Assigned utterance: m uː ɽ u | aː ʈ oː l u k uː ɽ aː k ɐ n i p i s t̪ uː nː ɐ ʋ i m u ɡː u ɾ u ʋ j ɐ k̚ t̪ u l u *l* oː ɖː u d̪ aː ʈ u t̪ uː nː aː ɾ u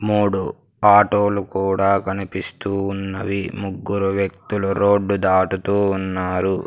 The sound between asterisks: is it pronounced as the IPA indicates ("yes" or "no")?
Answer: no